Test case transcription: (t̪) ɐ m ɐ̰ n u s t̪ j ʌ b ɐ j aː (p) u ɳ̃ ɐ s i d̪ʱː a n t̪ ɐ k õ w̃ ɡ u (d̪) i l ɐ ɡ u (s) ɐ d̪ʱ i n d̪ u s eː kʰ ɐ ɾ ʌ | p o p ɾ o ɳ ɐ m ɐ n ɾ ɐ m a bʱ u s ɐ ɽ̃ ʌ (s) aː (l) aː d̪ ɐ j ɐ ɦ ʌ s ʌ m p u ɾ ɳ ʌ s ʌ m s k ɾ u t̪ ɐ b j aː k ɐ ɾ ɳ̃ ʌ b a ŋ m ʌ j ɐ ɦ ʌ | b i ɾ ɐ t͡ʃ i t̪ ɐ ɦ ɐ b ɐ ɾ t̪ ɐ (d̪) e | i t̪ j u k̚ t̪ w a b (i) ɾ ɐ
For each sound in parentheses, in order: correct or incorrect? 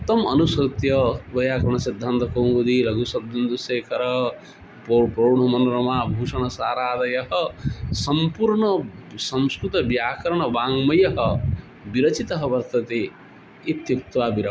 correct, incorrect: k, correct, correct, correct, incorrect: ɾ, incorrect: t̪, correct

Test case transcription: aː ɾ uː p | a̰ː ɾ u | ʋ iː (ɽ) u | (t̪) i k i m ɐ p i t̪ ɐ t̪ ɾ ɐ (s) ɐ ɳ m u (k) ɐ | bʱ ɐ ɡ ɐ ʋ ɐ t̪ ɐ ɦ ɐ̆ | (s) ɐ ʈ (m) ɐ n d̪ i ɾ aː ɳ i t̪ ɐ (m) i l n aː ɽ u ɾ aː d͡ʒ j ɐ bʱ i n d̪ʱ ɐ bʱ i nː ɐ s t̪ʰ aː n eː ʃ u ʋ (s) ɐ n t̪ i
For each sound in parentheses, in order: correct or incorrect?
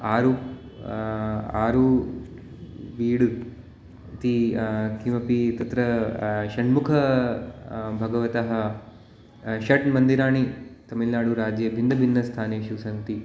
correct, correct, incorrect: ʃ, incorrect: kʰ, incorrect: ʃ, correct, correct, correct

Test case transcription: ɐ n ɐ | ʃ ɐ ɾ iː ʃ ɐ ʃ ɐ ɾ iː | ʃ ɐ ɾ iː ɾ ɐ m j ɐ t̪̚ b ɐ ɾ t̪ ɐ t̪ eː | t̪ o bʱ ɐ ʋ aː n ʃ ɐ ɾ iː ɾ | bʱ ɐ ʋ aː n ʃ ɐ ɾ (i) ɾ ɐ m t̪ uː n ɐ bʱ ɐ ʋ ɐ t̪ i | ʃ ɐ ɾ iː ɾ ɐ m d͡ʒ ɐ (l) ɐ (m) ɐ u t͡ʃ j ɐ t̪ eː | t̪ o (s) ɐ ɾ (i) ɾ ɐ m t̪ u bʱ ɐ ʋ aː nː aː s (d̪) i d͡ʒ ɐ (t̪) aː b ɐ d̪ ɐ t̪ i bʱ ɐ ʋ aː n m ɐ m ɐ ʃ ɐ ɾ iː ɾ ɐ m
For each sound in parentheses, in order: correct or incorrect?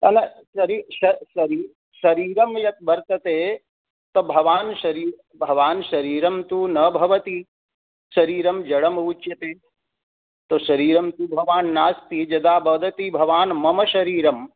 incorrect: iː, incorrect: ɽ, correct, incorrect: ʃ, incorrect: iː, incorrect: t̪, incorrect: d̪

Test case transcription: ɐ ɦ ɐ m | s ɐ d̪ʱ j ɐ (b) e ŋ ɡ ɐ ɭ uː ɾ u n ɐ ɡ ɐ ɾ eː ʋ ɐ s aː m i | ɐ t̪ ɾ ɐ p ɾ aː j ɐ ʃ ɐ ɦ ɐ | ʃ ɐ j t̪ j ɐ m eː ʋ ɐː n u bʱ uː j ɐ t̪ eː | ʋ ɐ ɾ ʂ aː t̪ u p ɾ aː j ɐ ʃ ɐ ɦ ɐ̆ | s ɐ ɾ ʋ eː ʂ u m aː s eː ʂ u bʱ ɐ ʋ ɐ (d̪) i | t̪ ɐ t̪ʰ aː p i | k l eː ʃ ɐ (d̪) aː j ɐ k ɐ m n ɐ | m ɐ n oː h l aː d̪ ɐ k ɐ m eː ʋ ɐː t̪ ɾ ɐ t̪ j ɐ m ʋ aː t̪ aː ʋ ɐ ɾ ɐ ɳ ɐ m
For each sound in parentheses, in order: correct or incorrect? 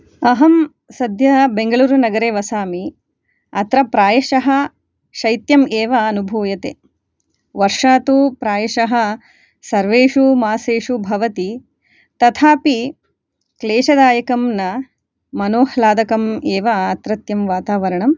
correct, incorrect: t̪, correct

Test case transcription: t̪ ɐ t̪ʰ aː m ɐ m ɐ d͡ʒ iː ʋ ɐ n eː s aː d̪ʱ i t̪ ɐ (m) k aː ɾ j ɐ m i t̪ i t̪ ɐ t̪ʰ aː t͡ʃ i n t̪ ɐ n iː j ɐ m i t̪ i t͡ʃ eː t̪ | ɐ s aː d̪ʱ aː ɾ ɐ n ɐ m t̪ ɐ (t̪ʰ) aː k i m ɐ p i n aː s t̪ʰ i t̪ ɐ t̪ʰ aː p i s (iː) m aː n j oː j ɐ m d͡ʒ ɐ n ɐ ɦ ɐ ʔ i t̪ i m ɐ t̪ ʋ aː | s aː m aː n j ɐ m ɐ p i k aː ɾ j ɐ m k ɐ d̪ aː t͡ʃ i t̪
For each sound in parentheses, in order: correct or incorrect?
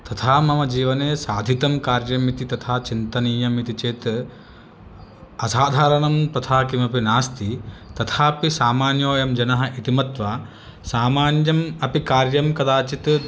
correct, correct, incorrect: aː

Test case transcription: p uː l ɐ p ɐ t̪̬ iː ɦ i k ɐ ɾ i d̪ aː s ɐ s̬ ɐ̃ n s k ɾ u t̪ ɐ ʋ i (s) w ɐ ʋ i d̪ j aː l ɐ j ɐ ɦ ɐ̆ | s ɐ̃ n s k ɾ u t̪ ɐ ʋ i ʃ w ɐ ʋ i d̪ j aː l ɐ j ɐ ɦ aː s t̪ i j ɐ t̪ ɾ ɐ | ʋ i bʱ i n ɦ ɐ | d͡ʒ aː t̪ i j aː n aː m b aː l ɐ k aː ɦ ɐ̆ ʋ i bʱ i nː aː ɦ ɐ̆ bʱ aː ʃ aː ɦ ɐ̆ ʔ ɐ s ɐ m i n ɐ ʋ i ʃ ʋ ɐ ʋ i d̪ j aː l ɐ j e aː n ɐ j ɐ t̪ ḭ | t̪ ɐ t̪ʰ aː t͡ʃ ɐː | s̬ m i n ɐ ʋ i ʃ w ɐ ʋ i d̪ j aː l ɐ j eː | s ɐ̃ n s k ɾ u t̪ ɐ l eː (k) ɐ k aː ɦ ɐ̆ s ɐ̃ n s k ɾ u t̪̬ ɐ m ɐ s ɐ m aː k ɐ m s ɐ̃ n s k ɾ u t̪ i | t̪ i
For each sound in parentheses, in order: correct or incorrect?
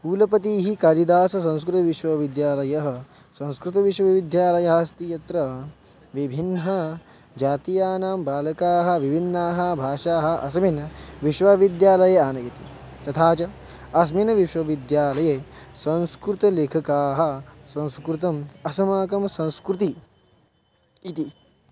incorrect: ʃ, incorrect: kʰ

